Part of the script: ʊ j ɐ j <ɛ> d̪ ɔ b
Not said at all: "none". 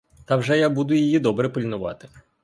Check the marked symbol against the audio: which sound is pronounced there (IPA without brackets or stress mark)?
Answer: i